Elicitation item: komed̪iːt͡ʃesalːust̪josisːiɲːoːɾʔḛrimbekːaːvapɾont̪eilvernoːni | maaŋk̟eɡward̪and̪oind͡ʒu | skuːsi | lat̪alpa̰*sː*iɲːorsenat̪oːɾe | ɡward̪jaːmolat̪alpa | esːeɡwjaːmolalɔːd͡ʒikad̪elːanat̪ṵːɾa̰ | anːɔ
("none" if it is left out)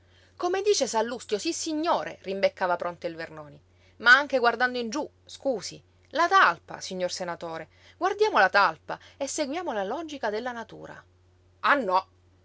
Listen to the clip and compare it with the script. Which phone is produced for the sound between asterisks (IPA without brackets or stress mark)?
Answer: s